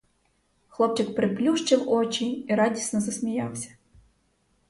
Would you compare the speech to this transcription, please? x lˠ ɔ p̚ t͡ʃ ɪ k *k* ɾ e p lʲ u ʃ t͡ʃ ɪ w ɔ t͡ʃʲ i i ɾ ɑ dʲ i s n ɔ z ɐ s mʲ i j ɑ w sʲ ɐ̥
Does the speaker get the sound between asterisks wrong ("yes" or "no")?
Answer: yes